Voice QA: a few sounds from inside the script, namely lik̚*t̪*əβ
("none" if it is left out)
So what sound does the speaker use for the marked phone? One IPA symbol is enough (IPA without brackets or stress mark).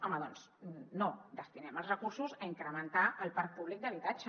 d̪